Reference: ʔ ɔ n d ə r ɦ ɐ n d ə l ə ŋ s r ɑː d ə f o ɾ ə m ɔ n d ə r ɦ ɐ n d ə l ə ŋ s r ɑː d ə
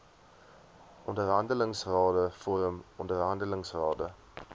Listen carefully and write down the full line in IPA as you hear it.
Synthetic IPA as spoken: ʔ ɔ n d ə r ɦ ɐ n d ə l ə ŋ s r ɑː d ə f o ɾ ə m ɔ n d ə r ɦ ɐ n d ə l ə ŋ s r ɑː d ə